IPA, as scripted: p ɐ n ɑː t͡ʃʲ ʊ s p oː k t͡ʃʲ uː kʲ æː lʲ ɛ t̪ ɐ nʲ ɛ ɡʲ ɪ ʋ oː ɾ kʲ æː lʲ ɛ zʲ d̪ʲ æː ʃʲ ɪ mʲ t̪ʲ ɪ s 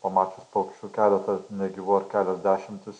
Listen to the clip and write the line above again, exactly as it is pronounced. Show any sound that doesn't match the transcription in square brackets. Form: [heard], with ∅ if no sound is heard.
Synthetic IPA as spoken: p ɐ [m] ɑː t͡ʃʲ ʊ s p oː k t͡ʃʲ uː kʲ æː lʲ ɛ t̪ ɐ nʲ ɛ ɡʲ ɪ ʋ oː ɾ kʲ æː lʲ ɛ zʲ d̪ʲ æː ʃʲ ɪ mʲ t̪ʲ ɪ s

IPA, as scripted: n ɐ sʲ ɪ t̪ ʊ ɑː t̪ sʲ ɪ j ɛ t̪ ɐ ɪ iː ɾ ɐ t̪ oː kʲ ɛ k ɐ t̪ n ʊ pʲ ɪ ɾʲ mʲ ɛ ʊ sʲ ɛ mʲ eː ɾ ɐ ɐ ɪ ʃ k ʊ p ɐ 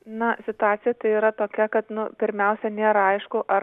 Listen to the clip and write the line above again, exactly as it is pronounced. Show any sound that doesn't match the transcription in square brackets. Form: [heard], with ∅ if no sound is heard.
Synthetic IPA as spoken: n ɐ sʲ ɪ t̪ ʊ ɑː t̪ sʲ ɪ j ɛ t̪ ɐ ɪ iː ɾ ɐ t̪ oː kʲ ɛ k ɐ t̪ n ʊ pʲ ɪ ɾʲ mʲ ɛ ʊ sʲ ɛ [nʲ] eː ɾ ɐ ɐ ɪ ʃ k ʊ [ʔ] ɐ

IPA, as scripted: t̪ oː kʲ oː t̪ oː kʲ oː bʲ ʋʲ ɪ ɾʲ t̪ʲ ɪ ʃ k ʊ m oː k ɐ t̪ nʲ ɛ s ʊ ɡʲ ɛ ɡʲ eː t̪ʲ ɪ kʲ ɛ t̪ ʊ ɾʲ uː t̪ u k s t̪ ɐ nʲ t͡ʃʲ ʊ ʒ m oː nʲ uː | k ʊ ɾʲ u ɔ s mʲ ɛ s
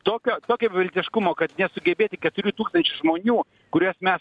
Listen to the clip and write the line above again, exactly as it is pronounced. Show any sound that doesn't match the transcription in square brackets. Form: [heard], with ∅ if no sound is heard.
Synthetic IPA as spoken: t̪ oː kʲ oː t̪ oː kʲ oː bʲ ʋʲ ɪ [lʲ] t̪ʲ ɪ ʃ k ʊ m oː k ɐ t̪ nʲ ɛ s ʊ ɡʲ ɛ [bʲ] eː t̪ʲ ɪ kʲ ɛ t̪ ʊ ɾʲ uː t̪ [uː] k s t̪ ɐ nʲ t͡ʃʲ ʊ ʒ m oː nʲ uː | k ʊ ɾʲ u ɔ s mʲ ɛ s

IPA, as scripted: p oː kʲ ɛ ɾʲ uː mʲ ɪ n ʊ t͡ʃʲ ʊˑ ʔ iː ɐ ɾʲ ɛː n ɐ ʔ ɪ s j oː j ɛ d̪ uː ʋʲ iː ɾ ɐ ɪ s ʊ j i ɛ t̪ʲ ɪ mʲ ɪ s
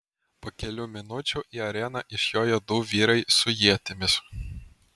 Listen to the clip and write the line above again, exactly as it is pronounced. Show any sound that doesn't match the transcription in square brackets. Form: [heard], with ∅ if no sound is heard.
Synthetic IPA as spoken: p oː kʲ ɛ [lʲ] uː mʲ ɪ n ʊ t͡ʃʲ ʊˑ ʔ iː ɐ ɾʲ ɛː n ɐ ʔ ɪ [ʃ] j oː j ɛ d̪ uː ʋʲ iː ɾ ɐ ɪ s ʊ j i ɛ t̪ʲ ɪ mʲ ɪ s

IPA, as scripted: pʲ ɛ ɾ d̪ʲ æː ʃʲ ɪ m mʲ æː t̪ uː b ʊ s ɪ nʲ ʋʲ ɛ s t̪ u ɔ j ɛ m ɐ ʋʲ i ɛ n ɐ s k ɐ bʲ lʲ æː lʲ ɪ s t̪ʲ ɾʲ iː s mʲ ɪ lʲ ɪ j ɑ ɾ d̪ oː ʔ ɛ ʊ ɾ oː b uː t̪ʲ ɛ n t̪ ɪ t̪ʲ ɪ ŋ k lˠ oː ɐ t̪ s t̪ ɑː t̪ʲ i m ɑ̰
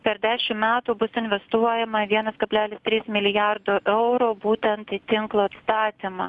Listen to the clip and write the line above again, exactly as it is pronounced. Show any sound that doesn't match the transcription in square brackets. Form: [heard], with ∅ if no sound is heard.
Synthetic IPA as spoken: pʲ ɛ ɾ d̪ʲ æː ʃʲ ɪ m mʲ æː t̪ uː b ʊ s ɪ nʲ ʋʲ ɛ s t̪ u ɔ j ɛ m ɐ ʋʲ i ɛ n ɐ s k ɐ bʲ lʲ æː lʲ ɪ s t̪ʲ ɾʲ iː s mʲ ɪ lʲ ɪ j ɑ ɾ d̪ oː ʔ ɛ ʊ ɾ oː b uː t̪ʲ ɛ n t̪ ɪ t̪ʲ ɪ ŋ k lˠ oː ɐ t̪ s t̪ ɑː t̪ʲ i m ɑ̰

